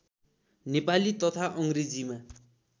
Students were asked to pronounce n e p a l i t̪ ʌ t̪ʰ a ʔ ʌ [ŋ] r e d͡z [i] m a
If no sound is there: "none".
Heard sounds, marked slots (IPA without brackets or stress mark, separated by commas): ŋ, i